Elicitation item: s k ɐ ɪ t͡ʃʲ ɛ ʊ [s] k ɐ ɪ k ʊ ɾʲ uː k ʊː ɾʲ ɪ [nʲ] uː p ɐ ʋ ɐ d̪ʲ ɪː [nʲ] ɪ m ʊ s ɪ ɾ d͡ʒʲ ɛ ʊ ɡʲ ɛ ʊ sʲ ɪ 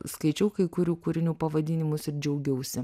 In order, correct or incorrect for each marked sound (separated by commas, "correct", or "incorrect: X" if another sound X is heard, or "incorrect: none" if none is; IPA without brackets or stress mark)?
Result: incorrect: none, correct, correct